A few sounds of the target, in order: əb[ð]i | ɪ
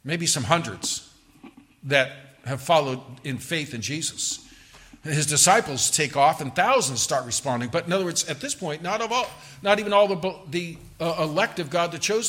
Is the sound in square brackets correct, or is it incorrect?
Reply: correct